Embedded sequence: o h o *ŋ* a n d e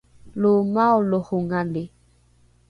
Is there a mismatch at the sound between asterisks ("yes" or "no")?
no